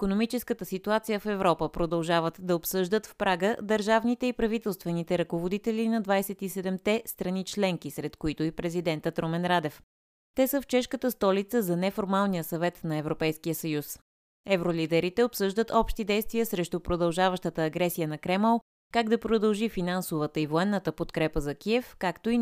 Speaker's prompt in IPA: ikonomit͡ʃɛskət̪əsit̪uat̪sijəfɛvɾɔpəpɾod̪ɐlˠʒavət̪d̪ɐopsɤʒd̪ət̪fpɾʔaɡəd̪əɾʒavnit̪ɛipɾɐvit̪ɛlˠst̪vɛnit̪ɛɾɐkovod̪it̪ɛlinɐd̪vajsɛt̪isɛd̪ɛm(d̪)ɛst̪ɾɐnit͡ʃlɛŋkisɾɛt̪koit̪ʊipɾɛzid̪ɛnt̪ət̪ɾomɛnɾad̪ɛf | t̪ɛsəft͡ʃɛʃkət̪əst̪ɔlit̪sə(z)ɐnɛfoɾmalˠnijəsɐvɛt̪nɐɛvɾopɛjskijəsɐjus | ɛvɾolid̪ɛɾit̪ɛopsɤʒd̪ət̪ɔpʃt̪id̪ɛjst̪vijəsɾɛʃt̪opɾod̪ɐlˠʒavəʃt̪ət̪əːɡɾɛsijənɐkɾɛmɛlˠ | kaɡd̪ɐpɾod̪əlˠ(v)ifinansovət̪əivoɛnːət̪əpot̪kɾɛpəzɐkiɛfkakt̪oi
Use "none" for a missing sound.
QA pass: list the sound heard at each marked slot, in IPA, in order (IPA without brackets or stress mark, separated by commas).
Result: t̪, z, ʒ